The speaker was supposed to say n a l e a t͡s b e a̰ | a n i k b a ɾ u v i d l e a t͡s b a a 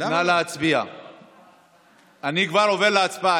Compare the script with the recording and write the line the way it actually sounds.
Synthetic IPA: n a l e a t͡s b i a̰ | a n i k v a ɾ o v e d l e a t͡s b a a